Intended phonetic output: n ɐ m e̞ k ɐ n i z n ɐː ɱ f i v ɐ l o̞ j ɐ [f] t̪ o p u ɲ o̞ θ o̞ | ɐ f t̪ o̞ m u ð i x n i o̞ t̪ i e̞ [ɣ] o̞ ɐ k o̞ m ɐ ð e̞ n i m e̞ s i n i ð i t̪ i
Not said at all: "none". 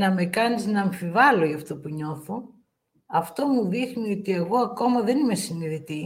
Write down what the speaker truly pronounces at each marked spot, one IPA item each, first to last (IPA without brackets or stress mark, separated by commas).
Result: f, ɣ